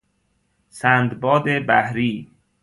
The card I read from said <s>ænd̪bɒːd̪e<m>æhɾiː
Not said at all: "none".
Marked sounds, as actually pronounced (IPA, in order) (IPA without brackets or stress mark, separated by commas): s, b